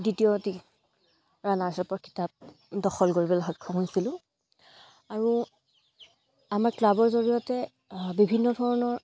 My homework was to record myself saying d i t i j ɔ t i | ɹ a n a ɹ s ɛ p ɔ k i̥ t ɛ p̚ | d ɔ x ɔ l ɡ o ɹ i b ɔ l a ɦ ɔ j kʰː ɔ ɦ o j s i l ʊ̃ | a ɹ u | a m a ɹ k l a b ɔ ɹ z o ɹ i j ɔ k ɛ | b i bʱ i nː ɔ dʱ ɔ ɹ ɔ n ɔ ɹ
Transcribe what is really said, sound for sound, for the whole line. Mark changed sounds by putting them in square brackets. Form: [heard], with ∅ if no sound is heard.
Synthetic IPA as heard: d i t i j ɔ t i | ɹ a n a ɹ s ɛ p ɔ k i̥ t [a] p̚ | d ɔ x ɔ l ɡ o ɹ i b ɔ l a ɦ ɔ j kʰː ɔ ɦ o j s i l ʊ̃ | a ɹ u | a m a ɹ k l a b ɔ ɹ z o ɹ i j ɔ [t] ɛ | b i bʱ i nː ɔ dʱ ɔ ɹ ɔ n ɔ ɹ